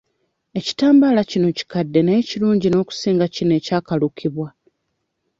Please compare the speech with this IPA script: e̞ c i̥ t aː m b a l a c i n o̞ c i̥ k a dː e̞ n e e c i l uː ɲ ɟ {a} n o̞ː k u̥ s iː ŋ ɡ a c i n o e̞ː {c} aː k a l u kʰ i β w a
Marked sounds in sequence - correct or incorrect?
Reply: incorrect, correct

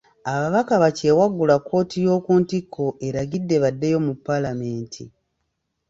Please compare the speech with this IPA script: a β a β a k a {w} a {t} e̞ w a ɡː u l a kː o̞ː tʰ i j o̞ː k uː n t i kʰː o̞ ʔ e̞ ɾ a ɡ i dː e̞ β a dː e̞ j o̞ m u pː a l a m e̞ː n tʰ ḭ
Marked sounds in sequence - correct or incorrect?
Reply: incorrect, incorrect

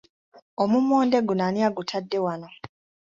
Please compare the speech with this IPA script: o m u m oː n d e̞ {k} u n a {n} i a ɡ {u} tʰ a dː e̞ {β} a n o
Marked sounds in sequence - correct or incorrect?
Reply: incorrect, correct, correct, incorrect

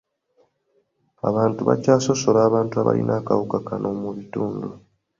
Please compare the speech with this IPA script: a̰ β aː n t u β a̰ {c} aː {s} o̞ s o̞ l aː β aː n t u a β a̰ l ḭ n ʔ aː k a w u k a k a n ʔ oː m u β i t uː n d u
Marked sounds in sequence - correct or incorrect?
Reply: correct, correct

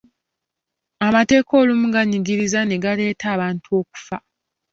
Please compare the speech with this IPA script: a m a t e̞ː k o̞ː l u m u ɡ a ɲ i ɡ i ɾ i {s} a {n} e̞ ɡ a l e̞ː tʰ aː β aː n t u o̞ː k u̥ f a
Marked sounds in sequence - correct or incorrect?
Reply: incorrect, correct

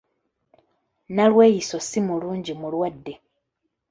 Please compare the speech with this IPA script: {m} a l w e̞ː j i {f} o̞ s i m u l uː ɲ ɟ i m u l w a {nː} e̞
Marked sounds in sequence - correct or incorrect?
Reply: incorrect, incorrect, incorrect

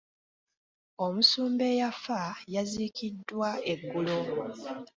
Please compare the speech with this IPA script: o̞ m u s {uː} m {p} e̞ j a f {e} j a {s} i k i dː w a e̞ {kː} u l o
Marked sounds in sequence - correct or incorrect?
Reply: correct, incorrect, incorrect, incorrect, incorrect

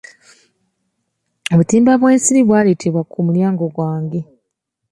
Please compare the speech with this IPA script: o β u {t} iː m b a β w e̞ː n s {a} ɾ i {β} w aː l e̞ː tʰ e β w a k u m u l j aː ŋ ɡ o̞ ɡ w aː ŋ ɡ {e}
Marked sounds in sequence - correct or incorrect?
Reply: correct, incorrect, correct, correct

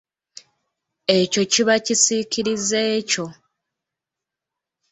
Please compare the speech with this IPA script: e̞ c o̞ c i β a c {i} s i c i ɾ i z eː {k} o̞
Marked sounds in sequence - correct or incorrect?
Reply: correct, incorrect

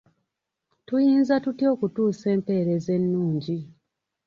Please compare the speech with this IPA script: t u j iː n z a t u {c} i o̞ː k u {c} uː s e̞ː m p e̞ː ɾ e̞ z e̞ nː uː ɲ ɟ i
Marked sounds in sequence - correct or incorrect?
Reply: incorrect, incorrect

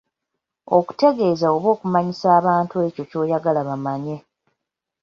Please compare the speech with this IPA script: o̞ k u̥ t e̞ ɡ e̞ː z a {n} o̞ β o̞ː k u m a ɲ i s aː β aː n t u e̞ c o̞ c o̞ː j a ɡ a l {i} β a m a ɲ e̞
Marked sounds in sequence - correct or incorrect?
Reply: incorrect, incorrect

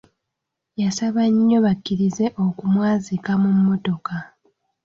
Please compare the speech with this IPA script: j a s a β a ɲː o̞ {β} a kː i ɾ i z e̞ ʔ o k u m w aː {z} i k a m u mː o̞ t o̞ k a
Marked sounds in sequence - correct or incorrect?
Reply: correct, correct

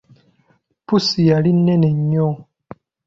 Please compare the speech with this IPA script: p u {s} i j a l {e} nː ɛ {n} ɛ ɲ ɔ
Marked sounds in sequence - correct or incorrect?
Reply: correct, incorrect, correct

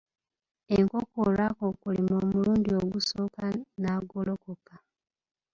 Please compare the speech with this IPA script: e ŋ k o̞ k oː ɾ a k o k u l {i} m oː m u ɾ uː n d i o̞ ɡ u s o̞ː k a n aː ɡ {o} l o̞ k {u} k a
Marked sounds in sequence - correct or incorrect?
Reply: correct, correct, incorrect

